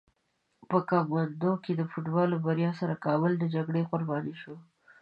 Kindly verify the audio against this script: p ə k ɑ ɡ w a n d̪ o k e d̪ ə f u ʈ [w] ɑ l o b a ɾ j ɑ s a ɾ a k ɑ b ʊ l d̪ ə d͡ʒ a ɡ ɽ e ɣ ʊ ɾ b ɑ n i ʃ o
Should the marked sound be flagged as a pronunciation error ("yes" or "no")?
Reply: yes